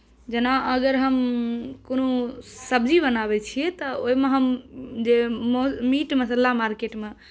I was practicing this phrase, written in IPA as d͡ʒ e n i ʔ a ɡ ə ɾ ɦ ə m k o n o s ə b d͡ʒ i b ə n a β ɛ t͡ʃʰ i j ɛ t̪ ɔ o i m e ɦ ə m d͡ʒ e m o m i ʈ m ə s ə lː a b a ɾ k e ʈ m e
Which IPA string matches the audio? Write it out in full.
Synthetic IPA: d͡ʒ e n a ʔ ə ɡ ə ɾ ɦ ə m k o n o s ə b d͡ʒ i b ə n a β ɛ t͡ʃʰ i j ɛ t̪ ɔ o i m e ɦ ə m d͡ʒ e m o m i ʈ m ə s ə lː a m a ɾ k e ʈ m e